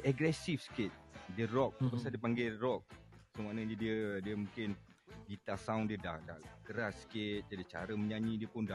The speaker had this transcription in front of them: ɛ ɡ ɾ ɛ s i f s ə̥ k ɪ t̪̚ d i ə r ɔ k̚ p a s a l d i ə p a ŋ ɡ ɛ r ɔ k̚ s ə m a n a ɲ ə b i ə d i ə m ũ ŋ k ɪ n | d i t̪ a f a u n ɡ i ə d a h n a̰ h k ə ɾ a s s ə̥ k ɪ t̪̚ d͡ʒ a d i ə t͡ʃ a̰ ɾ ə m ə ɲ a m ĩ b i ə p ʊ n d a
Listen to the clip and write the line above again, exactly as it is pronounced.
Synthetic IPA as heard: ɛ ɡ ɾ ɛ s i f s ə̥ k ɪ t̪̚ d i ə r ɔ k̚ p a s a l d i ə p a ŋ ɡ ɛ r ɔ k̚ s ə m a n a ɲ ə d i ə d i ə m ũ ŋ k ɪ n | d i t̪ a s a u n d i ə d a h d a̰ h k ə ɾ a s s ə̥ k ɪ t̪̚ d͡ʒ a d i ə t͡ʃ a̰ ɾ ə m ə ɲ a ɲ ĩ d i ə p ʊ n d a